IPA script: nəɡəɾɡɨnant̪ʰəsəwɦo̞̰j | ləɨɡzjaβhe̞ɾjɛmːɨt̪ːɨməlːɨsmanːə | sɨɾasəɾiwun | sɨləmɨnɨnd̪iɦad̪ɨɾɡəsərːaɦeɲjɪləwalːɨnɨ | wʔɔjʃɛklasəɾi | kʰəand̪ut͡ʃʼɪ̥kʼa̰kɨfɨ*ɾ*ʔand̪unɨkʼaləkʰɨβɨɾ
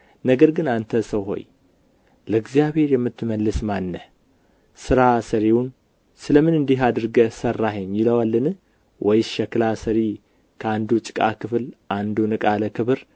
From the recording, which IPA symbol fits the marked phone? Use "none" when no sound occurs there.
l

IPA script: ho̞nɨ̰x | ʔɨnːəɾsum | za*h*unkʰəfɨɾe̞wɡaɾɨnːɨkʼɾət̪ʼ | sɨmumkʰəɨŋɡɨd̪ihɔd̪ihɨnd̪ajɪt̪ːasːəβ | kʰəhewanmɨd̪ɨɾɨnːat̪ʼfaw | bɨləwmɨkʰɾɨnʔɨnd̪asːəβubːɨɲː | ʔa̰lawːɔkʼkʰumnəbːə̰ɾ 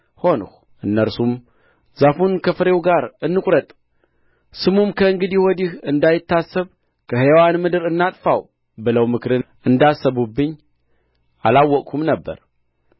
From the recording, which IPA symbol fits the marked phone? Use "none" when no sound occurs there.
f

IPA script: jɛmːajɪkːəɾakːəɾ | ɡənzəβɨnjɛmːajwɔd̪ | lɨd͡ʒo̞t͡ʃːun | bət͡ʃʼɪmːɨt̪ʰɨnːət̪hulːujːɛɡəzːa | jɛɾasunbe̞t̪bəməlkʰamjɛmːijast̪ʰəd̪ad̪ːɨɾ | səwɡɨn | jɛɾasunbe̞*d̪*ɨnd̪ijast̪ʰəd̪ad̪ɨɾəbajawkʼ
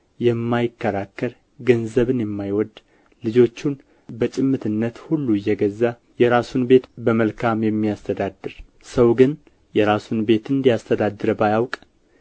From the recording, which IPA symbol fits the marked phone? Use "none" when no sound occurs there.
t̪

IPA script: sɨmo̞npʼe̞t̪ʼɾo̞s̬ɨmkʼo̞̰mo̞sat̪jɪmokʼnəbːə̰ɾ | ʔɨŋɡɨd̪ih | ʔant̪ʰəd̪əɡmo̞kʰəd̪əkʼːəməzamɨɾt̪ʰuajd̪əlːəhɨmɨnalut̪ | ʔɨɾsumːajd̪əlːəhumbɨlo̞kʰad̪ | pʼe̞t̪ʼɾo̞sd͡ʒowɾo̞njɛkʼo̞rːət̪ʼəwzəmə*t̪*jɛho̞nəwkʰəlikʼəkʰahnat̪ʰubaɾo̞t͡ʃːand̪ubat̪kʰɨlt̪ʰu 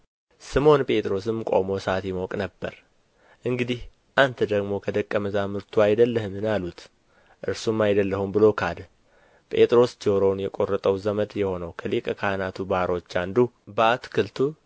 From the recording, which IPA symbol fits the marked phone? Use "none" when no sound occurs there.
d̪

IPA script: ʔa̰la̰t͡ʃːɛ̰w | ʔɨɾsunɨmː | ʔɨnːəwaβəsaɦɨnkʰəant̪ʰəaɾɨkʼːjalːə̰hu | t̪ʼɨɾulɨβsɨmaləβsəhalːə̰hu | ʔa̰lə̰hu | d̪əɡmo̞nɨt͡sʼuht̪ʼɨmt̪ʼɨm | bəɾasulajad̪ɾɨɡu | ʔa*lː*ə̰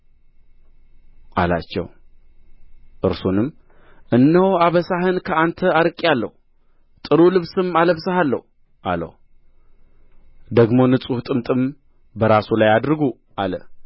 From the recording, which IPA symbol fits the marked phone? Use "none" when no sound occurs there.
l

